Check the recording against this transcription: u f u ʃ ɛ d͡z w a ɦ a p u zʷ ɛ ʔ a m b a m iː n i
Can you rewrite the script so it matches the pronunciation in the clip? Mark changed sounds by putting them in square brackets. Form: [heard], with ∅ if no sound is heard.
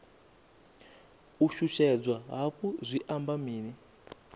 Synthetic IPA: u [ʃ] u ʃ ɛ d͡z w a ɦ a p u zʷ [i] ʔ a m b a m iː n i

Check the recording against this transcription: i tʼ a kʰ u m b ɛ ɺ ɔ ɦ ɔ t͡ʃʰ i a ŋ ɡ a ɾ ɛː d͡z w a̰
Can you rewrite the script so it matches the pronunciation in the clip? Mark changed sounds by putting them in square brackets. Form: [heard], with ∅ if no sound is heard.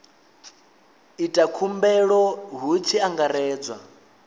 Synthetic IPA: i tʼ a kʰ u m b ɛ ɺ ɔ ɦ [u] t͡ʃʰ i a ŋ ɡ a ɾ ɛː d͡z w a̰

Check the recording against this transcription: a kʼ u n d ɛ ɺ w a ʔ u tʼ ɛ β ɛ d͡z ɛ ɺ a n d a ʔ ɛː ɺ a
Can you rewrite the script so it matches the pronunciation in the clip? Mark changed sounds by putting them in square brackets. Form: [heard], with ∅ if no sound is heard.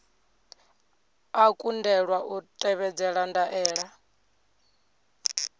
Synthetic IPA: a kʼ u n d ɛ ɺ w a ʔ u tʼ ɛ β ɛ d͡z ɛ ɺ a n d a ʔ ɛː ɺ a

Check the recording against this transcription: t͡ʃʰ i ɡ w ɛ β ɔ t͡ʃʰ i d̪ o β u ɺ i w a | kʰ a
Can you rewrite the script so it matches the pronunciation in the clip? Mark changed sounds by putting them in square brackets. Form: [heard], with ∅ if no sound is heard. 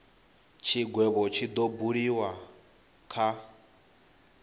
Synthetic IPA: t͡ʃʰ i ɡ w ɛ β ɔ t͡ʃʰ i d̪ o [b] u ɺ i w a | kʰ a

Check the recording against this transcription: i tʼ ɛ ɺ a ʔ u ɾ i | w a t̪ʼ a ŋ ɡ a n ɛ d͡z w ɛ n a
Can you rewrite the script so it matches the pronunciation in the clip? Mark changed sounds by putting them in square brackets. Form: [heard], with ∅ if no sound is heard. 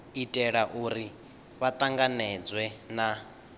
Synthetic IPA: i tʼ ɛ ɺ a ʔ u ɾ i | [β] a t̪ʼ a ŋ ɡ a n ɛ d͡z w ɛ n a

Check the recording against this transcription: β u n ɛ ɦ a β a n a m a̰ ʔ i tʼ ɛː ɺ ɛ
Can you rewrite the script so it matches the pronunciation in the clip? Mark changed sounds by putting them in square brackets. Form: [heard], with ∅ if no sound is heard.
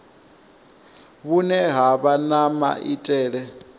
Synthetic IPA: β u n ɛ ɦ a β a n a m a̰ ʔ i tʼ ɛː ɺ ɛ

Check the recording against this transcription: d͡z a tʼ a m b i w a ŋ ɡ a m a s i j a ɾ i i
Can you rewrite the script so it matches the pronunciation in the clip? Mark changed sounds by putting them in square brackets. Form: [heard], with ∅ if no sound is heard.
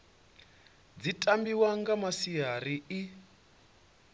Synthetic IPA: d͡z [i] tʼ a m b i w a ŋ ɡ a m a s i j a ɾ i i

